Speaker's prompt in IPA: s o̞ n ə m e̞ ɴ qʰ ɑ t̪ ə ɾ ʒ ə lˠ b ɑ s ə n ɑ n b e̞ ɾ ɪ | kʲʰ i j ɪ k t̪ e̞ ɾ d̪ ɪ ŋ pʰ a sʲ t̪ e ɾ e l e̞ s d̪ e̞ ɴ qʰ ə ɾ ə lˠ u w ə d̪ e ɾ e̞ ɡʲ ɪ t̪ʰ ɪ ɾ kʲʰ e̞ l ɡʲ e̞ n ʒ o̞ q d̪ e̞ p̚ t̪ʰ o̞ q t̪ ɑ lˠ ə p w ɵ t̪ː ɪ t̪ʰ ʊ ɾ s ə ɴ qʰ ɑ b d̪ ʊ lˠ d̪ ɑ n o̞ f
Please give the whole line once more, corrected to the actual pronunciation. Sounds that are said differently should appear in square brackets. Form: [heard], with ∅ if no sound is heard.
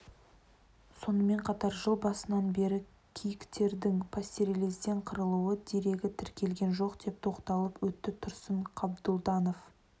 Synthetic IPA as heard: s o̞ n ə m e̞ ɴ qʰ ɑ t̪ [ɑ] ɾ ʒ ə lˠ b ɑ s ə n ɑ n b e̞ ɾ ɪ | kʲʰ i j ɪ k t̪ e̞ ɾ d̪ ɪ ŋ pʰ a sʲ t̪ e ɾ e l e̞ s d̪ e̞ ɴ qʰ ə ɾ ə lˠ u w ə d̪ e ɾ e̞ ɡʲ ɪ t̪ʰ ɪ ɾ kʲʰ e̞ l ɡʲ e̞ n ʒ o̞ q d̪ e̞ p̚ t̪ʰ o̞ q t̪ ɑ lˠ ə p w ɵ t̪ː ɪ t̪ʰ ʊ ɾ s ə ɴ qʰ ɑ b d̪ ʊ lˠ d̪ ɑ n o̞ f